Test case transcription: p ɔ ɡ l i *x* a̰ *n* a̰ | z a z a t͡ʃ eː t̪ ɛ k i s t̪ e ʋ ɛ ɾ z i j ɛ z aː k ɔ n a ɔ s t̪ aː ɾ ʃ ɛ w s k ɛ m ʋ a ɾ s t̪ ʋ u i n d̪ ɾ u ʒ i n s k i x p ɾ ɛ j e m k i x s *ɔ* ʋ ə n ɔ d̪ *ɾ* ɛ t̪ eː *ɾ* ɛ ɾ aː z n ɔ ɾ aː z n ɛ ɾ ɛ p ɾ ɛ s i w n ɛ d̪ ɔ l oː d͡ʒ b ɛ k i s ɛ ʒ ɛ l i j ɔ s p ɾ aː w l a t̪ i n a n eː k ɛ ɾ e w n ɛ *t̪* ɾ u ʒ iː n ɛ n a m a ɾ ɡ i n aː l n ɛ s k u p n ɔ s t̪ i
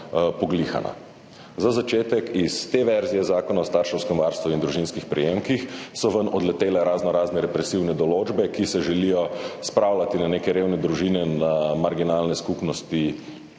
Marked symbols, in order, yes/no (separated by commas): yes, yes, yes, no, no, no